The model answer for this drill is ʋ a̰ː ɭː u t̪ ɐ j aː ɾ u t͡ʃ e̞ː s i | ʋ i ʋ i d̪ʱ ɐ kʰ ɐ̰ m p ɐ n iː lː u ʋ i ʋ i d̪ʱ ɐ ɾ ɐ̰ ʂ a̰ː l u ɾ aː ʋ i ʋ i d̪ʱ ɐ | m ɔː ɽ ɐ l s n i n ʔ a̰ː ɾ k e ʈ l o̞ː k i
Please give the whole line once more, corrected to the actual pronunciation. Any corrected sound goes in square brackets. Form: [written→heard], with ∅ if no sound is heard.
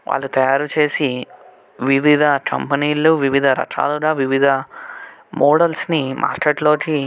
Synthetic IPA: ʋ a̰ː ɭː u t̪ ɐ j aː ɾ u t͡ʃ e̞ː s i | ʋ i ʋ i d̪ʱ ɐ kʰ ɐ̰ m p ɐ n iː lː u ʋ i ʋ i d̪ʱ ɐ ɾ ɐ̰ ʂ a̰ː l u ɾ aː ʋ i ʋ i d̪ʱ ɐ | m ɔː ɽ ɐ l s n i [n→m] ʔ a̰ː ɾ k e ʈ l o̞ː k i

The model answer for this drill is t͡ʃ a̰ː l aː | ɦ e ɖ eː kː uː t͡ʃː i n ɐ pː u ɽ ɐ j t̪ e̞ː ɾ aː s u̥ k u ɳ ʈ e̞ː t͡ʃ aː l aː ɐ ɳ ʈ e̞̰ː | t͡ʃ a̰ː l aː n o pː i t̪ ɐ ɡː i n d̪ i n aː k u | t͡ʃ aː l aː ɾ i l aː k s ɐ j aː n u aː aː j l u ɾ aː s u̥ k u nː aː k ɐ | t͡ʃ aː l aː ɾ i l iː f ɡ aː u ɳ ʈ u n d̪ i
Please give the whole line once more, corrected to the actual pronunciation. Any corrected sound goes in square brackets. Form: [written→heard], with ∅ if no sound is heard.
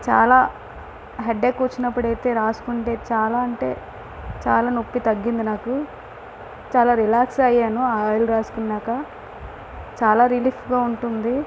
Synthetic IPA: t͡ʃ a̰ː l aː | ɦ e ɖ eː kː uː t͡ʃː i n ɐ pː u ɽ ɐ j t̪ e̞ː ɾ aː s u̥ k u ɳ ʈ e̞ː t͡ʃ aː l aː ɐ ɳ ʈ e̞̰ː | t͡ʃ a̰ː l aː n o pː i t̪ ɐ ɡː i n d̪ i n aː k u | t͡ʃ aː l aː ɾ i l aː k s ɐ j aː n u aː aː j l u ɾ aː s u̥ k u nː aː k ɐ | t͡ʃ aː l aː ɾ i l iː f ɡ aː u ɳ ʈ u n d̪ i

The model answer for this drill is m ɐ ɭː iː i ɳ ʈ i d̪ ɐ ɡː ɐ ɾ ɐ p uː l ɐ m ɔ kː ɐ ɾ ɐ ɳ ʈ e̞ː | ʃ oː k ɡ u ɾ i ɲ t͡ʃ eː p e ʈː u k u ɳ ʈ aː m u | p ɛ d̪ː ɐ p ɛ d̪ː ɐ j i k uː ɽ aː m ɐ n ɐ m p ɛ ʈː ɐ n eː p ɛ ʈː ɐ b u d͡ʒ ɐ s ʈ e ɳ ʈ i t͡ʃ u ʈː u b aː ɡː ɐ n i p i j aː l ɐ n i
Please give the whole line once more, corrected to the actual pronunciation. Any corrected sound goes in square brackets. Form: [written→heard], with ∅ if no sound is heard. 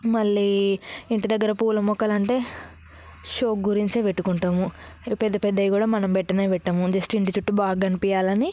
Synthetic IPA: m ɐ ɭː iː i ɳ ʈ i d̪ ɐ ɡː ɐ ɾ ɐ p uː l ɐ m ɔ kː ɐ [ɾ→l] ɐ ɳ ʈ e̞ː | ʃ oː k ɡ u ɾ i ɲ t͡ʃ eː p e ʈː u k u ɳ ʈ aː m u | p ɛ d̪ː ɐ p ɛ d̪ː ɐ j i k uː ɽ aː m ɐ n ɐ m p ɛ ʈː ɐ n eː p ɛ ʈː ɐ [b→m] u d͡ʒ ɐ s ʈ [e→i] ɳ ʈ i t͡ʃ u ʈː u b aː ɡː ɐ n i p i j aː l ɐ n i

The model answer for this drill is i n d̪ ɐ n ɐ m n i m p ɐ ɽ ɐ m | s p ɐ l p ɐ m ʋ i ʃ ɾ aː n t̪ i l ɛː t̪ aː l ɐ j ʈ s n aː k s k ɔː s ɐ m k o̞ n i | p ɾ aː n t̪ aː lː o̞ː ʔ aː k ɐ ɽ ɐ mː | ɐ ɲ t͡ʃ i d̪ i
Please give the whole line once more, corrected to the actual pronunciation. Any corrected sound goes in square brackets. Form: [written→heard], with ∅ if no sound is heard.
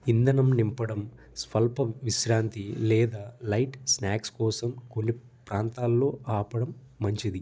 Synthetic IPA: i n d̪ ɐ n ɐ m n i m p ɐ ɽ ɐ m | s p ɐ l p ɐ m ʋ i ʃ ɾ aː n t̪ i l ɛː [t̪→d̪] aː l ɐ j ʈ s n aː k s k ɔː s ɐ m k o̞ [n→nː] i | p ɾ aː n t̪ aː lː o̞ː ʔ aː [k→p] ɐ ɽ ɐ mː | ɐ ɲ t͡ʃ i d̪ i

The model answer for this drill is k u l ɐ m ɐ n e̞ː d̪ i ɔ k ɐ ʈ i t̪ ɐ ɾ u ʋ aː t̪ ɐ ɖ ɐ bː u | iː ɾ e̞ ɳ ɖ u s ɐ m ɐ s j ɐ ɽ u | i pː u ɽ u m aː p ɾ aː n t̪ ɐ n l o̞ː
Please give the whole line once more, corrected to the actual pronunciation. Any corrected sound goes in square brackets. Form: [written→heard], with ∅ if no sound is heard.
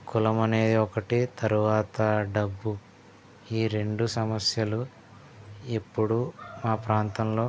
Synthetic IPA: k u l ɐ m ɐ n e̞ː d̪ i ɔ k ɐ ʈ i t̪ ɐ ɾ u ʋ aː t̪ ɐ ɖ ɐ bː u | iː ɾ e̞ ɳ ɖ u s ɐ m ɐ s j ɐ [ɽ→l] u | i pː u ɽ u m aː p ɾ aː n t̪ ɐ [n→m] l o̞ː

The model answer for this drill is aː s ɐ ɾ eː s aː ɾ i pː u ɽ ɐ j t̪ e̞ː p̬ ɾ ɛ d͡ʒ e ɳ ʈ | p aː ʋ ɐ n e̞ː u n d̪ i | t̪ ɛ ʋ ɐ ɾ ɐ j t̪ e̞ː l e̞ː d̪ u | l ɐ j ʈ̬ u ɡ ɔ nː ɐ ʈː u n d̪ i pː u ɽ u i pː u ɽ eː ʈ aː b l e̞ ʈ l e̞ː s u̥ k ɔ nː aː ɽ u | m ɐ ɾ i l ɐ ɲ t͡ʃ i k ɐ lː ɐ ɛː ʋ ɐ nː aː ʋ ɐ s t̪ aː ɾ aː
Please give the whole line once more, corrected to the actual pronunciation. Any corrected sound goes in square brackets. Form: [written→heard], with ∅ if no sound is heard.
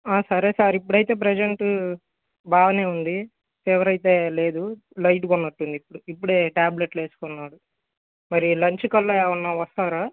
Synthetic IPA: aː s ɐ ɾ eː s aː ɾ i pː u ɽ ɐ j t̪ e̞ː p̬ ɾ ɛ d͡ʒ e ɳ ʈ | [p→b] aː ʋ ɐ n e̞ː u n d̪ i | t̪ ɛ ʋ ɐ ɾ ɐ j t̪ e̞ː l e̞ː d̪ u | l ɐ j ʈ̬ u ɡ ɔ nː ɐ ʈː u n d̪ i pː u ɽ u i pː u ɽ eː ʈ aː b l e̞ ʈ l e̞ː s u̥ k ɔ nː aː ɽ u | m ɐ ɾ i l ɐ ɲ t͡ʃ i k ɐ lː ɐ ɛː ʋ ɐ nː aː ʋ ɐ s t̪ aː ɾ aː

